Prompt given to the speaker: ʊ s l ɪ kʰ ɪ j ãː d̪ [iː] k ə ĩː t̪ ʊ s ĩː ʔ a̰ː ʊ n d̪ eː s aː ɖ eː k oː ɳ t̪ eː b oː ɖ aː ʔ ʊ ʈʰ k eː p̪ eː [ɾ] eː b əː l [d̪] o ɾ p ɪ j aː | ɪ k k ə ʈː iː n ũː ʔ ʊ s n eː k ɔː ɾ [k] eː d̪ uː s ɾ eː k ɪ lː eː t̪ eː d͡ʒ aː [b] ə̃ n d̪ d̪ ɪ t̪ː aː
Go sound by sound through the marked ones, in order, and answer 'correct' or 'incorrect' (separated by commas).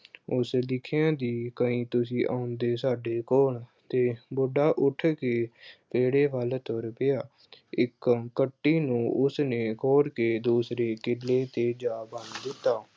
correct, incorrect, incorrect, correct, correct